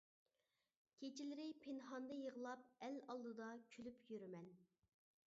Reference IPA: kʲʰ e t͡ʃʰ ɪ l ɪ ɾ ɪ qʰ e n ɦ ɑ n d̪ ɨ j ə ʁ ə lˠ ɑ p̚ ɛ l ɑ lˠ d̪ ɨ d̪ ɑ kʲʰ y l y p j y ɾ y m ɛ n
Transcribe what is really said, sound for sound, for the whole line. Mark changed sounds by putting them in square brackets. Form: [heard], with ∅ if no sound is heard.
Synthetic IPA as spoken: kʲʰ e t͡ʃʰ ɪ l ɪ ɾ ɪ [pʰ] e n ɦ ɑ n d̪ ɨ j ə ʁ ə lˠ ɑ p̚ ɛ l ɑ lˠ d̪ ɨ d̪ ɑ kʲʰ y l y p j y ɾ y m ɛ n